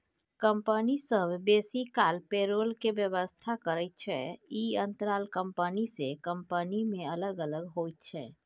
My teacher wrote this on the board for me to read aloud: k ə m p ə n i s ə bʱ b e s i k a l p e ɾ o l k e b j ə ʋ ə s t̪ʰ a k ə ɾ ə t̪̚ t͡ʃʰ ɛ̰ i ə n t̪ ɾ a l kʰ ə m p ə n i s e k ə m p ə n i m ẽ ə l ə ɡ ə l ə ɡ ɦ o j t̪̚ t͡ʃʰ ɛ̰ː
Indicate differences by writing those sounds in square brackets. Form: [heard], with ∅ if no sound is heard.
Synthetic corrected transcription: k ə m p ə n i s ə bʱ b e s i k a l p e ɾ o l k e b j ə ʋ ə s t̪ʰ a k ə ɾ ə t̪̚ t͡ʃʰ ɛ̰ i ə n t̪ ɾ a l [k] ə m p ə n i s e k ə m p ə n i m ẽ ə l ə ɡ ə l ə ɡ ɦ o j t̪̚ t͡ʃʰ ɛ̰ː